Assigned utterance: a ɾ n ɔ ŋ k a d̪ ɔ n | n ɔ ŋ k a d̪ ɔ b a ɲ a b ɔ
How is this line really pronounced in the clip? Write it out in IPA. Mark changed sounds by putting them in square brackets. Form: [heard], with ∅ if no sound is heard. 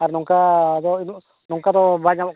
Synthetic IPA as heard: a ɾ n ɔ ŋ k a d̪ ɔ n | n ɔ ŋ k a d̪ ɔ b a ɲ a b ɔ